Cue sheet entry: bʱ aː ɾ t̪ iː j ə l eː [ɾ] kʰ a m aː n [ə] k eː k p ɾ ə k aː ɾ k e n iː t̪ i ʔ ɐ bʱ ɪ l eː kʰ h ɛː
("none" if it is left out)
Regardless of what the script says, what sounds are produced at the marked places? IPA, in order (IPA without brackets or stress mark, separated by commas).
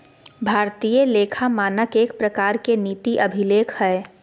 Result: none, ə